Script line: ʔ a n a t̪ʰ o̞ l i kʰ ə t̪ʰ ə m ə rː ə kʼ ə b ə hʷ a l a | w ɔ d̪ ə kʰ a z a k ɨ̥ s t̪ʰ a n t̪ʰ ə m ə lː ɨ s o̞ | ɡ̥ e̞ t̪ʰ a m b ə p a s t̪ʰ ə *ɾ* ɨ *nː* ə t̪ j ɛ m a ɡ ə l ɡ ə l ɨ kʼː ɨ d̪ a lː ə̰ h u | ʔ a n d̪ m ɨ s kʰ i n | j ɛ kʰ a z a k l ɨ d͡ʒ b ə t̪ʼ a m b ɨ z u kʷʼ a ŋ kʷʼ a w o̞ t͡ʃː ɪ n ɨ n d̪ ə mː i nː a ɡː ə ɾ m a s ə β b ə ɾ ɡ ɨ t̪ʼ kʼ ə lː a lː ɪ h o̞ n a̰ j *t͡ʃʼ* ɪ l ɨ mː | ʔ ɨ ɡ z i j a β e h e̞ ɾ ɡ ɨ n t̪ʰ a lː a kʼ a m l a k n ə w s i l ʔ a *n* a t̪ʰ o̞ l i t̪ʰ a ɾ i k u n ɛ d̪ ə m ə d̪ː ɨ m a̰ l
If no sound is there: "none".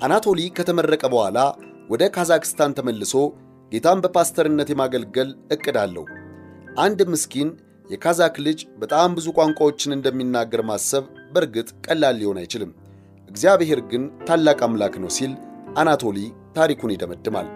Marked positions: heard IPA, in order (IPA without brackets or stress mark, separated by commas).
ɾ, nː, t͡ʃ, n